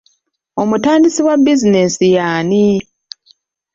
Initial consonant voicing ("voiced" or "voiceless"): voiced